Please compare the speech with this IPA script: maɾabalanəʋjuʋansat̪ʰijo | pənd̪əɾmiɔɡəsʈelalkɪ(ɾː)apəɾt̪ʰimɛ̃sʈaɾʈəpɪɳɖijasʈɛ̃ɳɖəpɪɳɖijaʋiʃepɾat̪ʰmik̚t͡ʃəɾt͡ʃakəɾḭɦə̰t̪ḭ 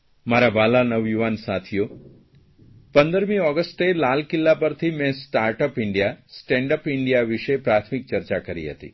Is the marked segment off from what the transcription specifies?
yes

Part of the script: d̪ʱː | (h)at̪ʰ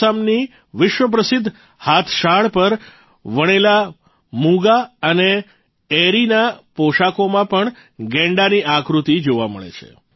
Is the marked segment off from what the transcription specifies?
no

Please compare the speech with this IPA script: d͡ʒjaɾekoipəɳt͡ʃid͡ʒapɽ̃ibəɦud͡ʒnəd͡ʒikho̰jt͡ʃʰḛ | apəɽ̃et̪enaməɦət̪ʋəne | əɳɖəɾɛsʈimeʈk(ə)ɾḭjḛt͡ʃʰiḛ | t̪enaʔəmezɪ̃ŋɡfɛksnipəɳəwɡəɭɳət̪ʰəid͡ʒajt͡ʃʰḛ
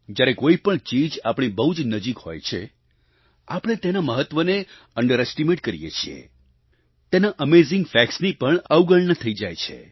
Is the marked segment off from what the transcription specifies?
no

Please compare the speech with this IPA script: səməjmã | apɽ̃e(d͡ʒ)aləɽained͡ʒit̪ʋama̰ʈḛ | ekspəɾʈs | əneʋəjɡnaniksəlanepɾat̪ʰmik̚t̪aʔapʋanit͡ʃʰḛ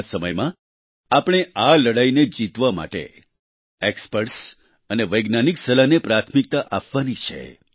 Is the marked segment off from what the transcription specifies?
yes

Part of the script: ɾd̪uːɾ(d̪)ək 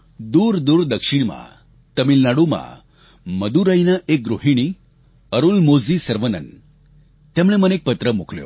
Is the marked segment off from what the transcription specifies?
no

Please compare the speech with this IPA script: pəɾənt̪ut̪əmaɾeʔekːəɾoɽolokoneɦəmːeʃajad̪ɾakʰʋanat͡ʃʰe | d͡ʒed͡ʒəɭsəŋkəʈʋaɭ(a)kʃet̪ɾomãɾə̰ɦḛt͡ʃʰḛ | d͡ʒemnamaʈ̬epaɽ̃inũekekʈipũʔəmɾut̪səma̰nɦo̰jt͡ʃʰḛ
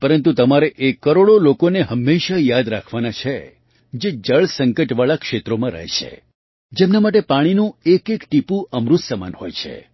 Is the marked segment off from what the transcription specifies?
no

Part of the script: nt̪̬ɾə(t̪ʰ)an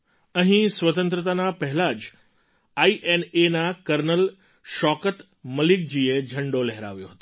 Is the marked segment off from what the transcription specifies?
yes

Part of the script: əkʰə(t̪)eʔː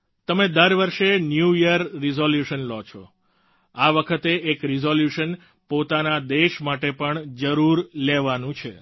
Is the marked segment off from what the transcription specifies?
no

